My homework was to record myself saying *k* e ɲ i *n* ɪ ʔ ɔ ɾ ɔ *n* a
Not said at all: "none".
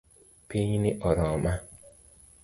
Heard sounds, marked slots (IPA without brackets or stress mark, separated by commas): p, n, m